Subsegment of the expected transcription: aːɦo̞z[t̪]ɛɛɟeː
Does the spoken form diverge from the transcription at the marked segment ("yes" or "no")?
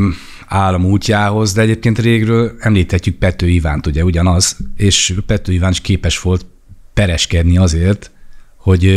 yes